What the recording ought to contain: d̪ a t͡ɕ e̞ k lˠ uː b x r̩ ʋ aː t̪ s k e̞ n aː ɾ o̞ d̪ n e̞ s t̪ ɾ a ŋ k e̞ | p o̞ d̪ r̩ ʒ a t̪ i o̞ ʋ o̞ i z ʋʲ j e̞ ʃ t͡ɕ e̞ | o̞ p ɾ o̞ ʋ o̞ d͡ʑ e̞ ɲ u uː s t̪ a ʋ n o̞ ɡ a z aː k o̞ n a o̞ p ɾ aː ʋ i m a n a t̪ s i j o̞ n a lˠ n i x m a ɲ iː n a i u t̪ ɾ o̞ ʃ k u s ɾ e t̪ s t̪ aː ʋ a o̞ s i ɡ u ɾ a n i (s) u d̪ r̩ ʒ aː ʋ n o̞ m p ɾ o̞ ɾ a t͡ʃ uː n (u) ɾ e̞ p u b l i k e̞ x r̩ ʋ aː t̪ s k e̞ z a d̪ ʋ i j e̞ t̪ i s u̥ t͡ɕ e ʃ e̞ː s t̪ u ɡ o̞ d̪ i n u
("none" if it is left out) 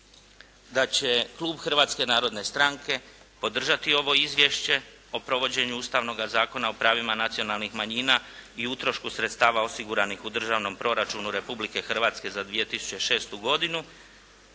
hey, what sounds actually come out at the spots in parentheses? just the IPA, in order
x, u

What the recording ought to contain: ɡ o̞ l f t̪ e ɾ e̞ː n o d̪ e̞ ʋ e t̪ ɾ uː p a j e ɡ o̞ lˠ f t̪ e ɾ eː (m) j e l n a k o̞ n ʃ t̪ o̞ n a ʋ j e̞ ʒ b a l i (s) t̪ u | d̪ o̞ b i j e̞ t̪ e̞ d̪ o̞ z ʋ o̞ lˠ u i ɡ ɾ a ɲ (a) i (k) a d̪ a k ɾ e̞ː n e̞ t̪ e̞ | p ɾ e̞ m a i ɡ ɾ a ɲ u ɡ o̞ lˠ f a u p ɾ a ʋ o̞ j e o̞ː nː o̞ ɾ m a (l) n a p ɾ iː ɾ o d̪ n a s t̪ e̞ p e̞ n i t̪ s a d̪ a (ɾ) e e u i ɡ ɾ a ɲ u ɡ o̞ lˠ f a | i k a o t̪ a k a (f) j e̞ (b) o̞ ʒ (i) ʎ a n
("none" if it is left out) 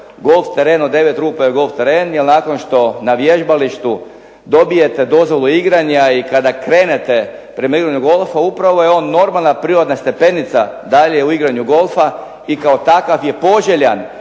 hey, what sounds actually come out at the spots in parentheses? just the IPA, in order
n, ʃ, a, k, l, ʎ, f, p, e

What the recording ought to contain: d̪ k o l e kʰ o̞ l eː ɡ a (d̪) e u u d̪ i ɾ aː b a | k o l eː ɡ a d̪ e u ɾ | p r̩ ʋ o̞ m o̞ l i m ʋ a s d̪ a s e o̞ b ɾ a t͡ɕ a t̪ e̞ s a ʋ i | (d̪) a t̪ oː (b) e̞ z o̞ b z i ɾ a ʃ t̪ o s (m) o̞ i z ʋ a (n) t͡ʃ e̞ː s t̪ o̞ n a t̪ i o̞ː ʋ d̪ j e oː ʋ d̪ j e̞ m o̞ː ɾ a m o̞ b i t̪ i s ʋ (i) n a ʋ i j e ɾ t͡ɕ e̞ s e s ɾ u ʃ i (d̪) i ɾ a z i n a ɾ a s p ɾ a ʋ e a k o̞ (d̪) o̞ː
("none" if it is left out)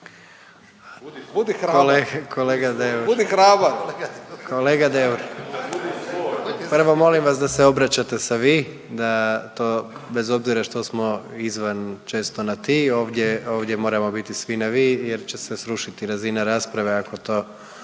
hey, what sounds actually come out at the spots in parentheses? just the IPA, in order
d̪, d̪, b, m, n, i, t̪, t̪

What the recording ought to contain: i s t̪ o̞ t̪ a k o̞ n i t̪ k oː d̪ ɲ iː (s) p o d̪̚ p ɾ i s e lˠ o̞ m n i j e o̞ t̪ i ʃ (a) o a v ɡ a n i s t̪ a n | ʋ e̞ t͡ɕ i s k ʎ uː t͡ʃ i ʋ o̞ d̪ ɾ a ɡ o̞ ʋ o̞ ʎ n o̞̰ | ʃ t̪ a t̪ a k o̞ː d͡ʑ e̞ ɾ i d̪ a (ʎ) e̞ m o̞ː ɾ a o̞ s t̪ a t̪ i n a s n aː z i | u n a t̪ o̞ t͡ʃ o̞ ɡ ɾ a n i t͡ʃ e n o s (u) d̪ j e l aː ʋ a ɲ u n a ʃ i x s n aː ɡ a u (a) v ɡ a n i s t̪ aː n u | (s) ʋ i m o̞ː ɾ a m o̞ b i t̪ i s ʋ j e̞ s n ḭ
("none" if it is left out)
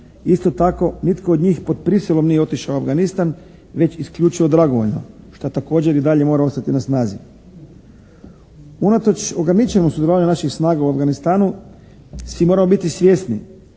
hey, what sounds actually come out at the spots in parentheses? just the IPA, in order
x, a, ʎ, u, a, s

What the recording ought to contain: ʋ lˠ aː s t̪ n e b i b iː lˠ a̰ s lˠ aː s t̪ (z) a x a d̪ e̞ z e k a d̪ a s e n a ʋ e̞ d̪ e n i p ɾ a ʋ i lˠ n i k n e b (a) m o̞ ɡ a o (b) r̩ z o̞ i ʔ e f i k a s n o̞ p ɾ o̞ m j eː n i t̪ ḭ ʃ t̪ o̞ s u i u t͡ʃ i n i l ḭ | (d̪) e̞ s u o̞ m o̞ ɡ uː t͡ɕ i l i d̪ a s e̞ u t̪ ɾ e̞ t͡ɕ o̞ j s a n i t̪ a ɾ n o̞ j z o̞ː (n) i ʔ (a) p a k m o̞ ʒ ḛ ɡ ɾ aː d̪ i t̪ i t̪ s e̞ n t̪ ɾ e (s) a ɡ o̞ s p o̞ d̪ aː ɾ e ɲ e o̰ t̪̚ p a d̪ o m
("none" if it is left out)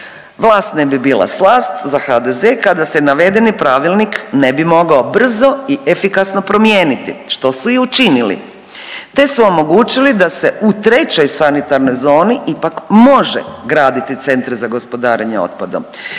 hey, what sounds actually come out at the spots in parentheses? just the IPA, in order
z, i, b, t̪, n, i, z

